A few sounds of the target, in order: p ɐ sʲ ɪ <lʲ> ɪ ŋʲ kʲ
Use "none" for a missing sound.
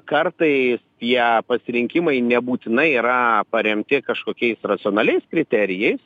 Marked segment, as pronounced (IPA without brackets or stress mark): ɾʲ